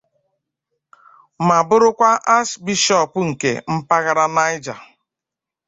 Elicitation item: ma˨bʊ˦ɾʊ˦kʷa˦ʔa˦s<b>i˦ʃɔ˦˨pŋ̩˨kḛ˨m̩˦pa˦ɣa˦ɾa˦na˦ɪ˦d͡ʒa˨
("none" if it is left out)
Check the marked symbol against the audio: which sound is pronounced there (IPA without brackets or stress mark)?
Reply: b